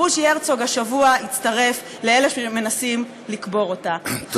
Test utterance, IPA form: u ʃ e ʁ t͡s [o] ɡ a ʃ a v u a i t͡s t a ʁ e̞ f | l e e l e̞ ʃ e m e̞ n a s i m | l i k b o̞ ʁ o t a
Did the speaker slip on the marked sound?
no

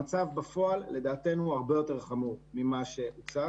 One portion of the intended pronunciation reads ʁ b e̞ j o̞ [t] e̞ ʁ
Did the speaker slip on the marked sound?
no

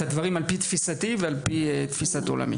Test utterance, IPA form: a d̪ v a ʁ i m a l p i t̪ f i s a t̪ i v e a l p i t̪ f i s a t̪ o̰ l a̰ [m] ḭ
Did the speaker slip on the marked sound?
no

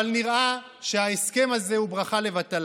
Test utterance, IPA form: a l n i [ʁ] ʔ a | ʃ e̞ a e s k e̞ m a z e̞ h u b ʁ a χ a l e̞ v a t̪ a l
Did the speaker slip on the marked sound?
no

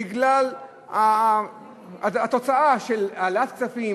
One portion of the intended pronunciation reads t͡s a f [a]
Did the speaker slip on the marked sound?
yes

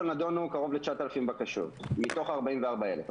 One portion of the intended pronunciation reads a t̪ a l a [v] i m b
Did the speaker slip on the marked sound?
yes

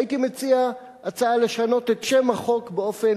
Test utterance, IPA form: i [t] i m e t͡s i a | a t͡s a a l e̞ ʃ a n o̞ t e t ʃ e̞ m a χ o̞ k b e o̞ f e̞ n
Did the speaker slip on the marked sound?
no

